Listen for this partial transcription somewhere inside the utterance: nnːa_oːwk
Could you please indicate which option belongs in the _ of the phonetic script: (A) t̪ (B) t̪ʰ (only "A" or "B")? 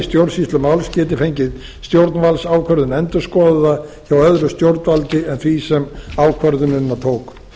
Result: B